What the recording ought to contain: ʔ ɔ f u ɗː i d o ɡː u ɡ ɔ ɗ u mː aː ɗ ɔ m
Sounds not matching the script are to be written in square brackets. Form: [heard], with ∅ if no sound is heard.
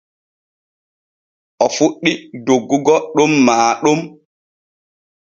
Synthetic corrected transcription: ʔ ɔ f u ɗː i d o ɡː u ɡ ɔ ɗ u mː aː ɗ [u] m